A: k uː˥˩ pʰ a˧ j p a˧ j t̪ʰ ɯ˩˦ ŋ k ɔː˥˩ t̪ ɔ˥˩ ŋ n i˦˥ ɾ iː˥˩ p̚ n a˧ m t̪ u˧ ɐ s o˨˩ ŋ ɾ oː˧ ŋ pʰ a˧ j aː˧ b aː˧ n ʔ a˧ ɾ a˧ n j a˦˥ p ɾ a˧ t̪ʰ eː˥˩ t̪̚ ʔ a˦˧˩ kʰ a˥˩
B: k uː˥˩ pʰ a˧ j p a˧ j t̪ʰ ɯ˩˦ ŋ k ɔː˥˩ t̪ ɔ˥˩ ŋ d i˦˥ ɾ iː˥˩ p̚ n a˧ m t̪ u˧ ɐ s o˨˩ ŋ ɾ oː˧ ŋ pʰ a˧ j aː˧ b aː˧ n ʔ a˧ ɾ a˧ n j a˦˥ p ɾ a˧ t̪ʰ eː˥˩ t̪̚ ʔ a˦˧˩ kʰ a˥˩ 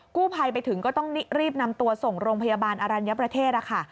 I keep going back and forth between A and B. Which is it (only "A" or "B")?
A